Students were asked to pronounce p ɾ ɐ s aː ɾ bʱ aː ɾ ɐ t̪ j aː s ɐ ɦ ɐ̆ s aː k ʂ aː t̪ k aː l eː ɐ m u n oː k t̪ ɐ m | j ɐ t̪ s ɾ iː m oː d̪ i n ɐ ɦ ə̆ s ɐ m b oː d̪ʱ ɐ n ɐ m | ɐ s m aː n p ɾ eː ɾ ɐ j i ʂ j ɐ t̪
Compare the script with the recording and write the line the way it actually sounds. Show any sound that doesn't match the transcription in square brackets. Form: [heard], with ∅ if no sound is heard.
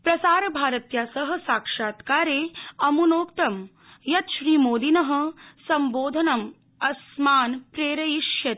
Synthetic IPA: p ɾ ɐ s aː ɾ bʱ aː ɾ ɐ t̪ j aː s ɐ ɦ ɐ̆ s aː k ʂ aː t̪ k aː [ɾ] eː ɐ m u n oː k t̪ ɐ m | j ɐ t̪ [ʃ] ɾ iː m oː d̪ i n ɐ ɦ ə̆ s ɐ m b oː d̪ʱ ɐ n ɐ m | ɐ s m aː n p ɾ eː ɾ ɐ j i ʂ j ɐ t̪